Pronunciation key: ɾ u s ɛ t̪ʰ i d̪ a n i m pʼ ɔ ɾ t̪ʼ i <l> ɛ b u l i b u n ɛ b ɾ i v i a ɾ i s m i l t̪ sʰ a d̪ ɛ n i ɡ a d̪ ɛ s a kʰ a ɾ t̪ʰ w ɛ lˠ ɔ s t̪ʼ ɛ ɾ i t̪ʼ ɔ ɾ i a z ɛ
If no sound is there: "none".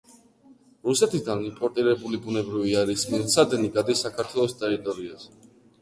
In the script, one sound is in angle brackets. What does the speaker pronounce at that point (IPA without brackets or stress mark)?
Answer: ɾ